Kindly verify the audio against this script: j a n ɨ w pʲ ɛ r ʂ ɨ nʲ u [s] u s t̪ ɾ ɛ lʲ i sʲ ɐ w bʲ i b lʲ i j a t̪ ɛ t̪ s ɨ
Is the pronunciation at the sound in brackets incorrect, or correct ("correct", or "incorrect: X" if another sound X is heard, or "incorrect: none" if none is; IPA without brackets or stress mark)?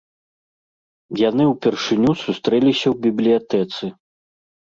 correct